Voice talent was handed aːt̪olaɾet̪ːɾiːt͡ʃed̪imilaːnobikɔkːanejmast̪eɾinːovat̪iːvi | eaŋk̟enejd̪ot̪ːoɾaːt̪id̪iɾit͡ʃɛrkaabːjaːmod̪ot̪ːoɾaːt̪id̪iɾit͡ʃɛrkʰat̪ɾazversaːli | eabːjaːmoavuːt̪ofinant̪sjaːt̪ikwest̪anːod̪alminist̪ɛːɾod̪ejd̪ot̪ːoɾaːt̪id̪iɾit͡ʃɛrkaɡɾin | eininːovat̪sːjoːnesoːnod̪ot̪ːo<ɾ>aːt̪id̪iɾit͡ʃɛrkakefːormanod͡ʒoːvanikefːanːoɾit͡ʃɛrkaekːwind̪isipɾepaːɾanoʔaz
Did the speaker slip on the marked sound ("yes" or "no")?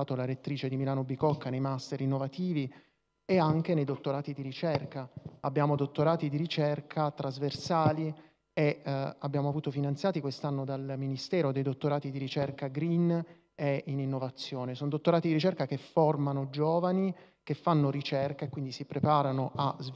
no